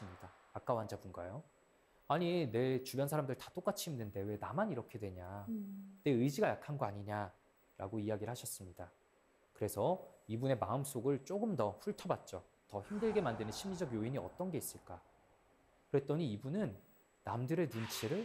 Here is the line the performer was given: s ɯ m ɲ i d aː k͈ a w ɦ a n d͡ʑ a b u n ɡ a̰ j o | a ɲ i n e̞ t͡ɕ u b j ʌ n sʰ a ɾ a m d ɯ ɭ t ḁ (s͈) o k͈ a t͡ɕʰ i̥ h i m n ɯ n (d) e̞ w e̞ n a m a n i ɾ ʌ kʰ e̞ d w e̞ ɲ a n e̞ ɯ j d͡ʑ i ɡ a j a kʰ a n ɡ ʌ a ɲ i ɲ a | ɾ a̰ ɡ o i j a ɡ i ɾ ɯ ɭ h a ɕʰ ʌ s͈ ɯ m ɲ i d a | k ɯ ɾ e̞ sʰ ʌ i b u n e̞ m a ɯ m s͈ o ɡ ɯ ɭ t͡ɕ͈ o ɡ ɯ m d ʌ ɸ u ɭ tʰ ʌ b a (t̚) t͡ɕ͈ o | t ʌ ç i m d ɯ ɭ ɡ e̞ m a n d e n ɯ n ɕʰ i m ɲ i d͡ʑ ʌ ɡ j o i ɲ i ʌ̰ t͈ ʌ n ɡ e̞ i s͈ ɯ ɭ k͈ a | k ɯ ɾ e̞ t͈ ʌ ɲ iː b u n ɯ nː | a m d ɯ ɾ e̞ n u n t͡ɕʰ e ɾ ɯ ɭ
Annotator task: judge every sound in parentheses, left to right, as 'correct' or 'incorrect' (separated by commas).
incorrect, correct, correct